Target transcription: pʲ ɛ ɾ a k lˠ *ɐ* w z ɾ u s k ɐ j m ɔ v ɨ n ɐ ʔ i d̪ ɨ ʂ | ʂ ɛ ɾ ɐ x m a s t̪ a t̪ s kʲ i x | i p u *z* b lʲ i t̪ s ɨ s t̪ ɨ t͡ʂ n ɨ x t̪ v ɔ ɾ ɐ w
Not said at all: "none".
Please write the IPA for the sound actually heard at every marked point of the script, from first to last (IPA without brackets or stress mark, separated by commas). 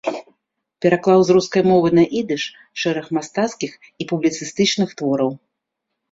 a, none